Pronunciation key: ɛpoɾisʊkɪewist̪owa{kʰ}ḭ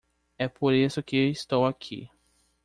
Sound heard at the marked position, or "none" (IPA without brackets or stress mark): kʰ